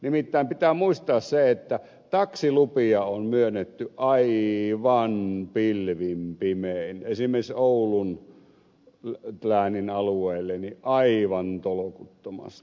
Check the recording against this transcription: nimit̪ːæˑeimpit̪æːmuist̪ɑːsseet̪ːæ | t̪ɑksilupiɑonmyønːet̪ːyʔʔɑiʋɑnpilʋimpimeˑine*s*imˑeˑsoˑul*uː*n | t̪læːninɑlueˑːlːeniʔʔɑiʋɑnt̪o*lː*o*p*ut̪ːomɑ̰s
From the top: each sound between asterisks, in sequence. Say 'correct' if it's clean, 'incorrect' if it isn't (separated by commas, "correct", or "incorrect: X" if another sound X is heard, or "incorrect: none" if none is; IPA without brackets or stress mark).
correct, incorrect: u, incorrect: l, incorrect: k